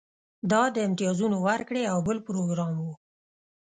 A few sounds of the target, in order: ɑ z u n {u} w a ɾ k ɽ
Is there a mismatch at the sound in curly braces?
yes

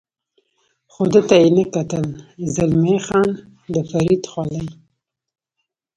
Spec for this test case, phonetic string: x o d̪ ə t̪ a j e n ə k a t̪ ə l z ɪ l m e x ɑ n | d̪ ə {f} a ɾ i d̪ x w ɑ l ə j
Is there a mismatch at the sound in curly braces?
no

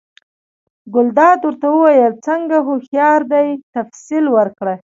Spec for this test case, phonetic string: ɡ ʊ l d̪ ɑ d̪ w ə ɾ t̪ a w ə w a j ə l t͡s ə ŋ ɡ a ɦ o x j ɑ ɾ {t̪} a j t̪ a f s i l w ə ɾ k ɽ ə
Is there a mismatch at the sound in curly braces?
yes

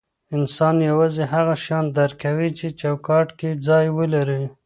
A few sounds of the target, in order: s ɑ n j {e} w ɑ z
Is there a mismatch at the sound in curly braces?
yes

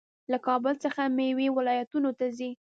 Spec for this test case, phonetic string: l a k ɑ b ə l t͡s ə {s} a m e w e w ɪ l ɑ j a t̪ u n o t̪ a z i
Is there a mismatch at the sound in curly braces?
yes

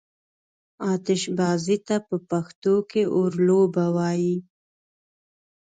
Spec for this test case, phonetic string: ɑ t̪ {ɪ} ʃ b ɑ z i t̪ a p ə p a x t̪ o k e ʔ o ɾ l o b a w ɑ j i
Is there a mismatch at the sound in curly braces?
no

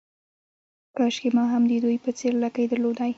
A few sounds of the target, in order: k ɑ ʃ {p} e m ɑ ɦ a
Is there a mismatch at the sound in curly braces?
yes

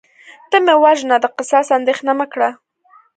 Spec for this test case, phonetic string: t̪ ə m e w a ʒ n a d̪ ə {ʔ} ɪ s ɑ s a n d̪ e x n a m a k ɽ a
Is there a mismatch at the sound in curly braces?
yes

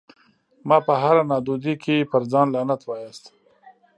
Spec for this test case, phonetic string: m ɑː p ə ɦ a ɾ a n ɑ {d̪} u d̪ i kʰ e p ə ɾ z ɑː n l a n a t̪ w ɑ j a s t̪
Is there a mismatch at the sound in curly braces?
no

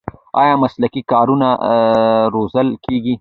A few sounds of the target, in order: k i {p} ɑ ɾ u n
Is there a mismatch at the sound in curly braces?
yes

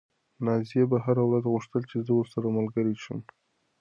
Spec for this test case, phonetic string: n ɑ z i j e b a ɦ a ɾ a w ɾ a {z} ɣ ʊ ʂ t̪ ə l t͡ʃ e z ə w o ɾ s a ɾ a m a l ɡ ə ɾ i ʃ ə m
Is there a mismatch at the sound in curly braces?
no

